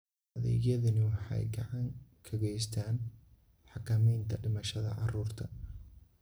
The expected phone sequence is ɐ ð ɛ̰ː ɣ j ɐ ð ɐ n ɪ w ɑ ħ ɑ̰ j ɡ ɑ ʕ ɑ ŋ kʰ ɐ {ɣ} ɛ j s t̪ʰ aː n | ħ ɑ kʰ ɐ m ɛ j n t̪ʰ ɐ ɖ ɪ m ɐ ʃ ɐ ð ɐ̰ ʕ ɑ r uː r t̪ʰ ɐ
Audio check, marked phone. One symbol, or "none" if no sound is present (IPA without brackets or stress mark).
ɣ